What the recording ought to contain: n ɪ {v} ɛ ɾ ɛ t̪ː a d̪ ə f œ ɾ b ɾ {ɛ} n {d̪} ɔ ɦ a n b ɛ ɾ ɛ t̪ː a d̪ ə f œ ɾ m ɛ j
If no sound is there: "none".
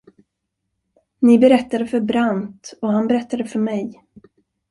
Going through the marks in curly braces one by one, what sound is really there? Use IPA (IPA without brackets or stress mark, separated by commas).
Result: b, a, t̪